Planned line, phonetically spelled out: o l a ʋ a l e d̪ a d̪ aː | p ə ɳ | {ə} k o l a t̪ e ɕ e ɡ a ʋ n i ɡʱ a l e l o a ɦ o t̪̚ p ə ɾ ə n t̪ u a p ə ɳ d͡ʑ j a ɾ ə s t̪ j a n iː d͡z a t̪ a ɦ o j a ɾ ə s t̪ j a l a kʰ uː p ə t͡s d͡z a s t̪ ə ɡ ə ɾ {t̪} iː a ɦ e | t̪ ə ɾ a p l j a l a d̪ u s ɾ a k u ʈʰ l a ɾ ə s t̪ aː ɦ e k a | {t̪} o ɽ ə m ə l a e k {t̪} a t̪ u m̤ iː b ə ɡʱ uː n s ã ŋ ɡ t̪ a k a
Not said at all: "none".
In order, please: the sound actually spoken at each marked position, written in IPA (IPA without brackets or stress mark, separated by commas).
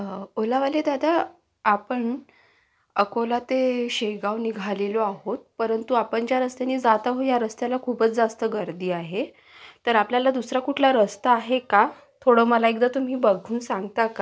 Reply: ə, d̪, t̪ʰ, d̪